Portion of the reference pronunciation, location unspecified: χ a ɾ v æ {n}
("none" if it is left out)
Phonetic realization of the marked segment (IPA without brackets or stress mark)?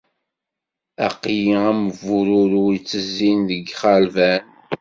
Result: n